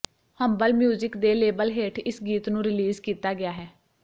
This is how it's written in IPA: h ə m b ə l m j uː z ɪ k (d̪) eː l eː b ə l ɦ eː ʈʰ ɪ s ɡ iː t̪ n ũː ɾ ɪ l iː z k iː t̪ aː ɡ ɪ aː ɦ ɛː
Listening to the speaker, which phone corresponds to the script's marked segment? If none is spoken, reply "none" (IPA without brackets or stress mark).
d̪